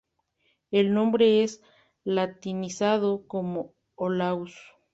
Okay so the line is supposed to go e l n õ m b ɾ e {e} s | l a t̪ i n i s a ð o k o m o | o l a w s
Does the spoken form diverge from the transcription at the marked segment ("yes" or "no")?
no